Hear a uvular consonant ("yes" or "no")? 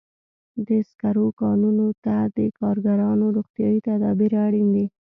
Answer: no